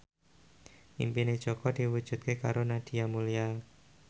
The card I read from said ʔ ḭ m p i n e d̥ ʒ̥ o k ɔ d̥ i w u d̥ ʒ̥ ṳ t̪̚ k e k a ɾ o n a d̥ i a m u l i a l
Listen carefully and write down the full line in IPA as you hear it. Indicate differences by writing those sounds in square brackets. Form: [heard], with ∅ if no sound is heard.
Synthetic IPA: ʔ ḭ m p i n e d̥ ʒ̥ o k ɔ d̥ i w u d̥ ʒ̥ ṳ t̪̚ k e k a ɾ o n a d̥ i a m u l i a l